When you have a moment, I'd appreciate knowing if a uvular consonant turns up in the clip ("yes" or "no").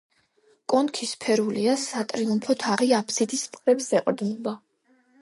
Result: yes